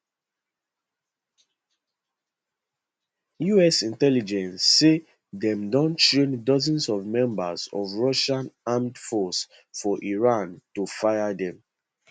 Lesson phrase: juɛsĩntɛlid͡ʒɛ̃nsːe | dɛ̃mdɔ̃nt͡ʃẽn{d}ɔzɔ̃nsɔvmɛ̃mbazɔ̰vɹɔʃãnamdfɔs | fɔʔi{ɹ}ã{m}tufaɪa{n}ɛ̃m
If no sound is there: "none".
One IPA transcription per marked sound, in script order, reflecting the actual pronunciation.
d, ɹ, n, d

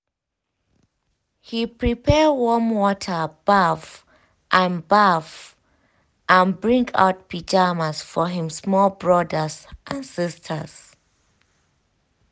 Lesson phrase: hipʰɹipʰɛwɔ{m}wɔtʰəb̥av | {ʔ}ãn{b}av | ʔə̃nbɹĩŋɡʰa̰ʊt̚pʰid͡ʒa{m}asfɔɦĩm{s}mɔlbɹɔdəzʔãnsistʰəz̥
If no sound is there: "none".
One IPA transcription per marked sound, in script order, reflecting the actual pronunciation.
m, ʔ, b, m, s

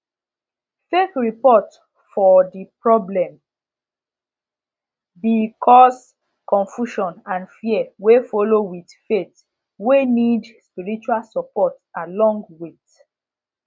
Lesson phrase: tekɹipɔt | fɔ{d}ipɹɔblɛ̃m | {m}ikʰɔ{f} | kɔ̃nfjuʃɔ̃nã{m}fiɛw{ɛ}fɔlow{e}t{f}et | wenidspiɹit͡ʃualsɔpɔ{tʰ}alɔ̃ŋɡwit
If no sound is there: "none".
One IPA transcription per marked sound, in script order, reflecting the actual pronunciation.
d, b, s, n, e, i, f, t

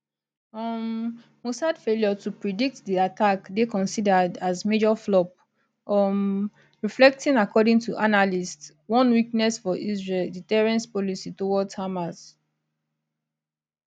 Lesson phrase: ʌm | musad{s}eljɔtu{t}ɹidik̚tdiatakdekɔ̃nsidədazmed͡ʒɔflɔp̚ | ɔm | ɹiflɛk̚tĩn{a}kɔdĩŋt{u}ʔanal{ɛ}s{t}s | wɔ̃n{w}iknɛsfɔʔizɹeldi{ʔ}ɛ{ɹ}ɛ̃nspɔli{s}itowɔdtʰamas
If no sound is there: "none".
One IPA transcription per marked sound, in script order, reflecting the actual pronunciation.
f, p, a, u, i, t, w, t, ɹ, s

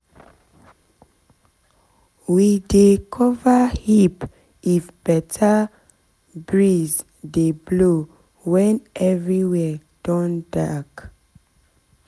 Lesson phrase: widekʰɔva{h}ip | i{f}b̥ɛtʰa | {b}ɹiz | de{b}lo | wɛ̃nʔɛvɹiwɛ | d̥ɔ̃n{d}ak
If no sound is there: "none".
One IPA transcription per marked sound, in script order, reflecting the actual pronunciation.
h, f, b, b, d

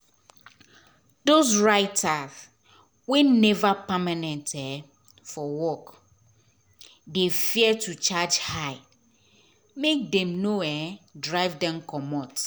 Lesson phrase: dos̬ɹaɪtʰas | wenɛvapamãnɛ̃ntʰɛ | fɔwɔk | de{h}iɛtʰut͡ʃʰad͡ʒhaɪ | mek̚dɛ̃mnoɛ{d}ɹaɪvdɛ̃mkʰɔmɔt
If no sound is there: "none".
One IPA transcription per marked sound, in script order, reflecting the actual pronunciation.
f, d

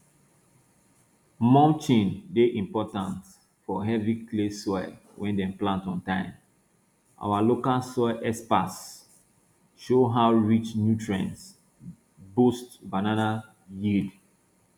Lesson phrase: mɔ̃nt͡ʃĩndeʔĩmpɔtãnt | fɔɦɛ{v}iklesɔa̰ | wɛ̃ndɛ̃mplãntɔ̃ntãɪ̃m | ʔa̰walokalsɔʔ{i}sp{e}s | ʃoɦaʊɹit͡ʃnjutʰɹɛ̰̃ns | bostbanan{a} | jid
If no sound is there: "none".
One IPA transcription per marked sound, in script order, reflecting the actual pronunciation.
v, ɛ, a, a

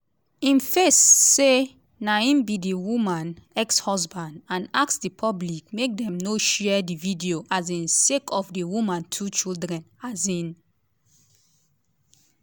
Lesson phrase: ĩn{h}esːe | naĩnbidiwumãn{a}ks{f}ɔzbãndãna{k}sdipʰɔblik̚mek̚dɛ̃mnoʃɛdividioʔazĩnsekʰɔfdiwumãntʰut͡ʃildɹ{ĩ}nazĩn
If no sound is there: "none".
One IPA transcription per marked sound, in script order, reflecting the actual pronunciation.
f, ɛ, h, k, ɛ̃

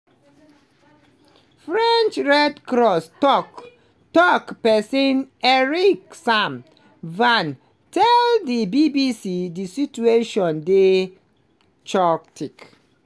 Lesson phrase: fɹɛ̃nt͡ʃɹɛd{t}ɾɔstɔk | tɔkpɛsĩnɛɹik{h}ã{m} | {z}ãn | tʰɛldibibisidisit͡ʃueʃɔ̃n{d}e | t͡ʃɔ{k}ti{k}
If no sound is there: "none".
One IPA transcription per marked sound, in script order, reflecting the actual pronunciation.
k, s, m, v, d, k, k

